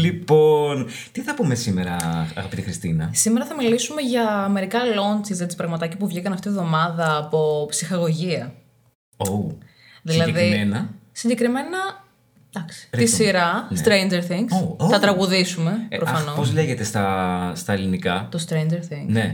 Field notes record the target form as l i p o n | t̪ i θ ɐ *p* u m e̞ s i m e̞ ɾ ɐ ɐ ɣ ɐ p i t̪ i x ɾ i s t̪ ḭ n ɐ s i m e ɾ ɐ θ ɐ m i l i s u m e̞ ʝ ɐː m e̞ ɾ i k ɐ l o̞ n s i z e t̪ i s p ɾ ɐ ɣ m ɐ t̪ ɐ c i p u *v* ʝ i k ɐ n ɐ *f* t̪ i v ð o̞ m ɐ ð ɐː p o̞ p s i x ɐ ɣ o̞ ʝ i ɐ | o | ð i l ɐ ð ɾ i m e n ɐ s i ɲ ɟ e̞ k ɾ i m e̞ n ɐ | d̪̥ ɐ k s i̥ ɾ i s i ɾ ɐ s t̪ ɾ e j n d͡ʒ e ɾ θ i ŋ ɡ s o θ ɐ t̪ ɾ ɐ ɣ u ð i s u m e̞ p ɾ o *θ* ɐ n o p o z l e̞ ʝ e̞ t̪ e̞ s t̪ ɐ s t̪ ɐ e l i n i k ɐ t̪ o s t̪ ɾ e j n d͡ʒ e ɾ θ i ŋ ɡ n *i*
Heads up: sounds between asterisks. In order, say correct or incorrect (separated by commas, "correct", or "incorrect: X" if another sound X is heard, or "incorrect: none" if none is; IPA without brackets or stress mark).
correct, correct, correct, incorrect: f, incorrect: e